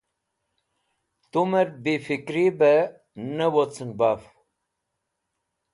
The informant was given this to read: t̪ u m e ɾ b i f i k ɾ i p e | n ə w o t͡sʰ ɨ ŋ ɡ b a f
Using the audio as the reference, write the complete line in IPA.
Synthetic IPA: t̪ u m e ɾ b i f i k ɾ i b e | n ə w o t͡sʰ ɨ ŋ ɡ b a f